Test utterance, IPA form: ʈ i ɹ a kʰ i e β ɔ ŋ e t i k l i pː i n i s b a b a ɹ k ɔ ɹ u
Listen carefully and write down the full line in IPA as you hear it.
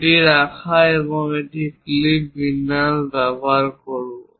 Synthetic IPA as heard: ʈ i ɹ a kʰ a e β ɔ ŋ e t i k l i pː i n a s b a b a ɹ k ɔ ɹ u